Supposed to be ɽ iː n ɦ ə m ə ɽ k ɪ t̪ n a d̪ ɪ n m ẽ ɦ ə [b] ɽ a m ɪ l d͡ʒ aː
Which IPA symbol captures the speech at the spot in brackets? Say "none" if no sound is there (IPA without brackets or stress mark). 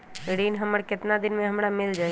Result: m